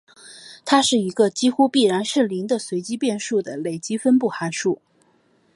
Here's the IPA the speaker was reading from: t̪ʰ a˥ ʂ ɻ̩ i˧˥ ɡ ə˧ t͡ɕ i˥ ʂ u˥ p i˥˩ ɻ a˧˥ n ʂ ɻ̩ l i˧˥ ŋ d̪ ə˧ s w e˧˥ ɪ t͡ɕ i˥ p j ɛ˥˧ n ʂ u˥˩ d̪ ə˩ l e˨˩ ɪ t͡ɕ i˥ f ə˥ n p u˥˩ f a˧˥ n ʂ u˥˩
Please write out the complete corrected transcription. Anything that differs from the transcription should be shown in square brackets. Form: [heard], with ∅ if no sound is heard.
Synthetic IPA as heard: t̪ʰ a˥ ʂ ɻ̩ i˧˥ ɡ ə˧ t͡ɕ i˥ [x] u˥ p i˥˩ ɻ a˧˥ n ʂ ɻ̩ l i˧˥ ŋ d̪ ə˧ s w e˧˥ ɪ t͡ɕ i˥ p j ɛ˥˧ n ʂ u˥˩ d̪ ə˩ l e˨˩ ɪ t͡ɕ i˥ f ə˥ n p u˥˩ [x] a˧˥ n ʂ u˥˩